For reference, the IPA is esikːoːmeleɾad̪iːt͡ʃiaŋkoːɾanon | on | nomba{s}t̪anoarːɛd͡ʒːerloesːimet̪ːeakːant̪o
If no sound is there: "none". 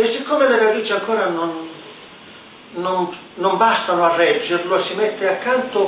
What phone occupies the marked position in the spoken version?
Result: s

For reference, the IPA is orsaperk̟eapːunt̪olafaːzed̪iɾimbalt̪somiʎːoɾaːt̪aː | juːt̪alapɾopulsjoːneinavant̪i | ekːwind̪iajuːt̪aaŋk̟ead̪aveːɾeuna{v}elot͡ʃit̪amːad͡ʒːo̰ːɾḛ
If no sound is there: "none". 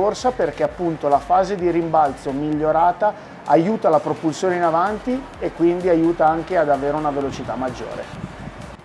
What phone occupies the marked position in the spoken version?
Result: v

